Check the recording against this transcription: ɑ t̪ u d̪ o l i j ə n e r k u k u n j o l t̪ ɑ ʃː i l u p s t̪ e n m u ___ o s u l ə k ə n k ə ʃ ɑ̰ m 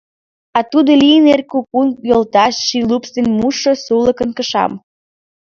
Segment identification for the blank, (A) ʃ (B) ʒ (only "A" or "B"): A